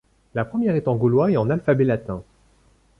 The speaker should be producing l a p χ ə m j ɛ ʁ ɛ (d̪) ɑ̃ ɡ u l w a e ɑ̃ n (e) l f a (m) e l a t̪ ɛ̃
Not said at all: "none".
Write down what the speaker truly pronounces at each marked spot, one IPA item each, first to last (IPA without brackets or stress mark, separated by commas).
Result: t̪, a, b